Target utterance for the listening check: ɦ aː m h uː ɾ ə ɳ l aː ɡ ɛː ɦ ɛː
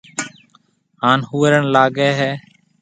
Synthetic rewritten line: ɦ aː n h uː ɾ ə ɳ l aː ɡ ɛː ɦ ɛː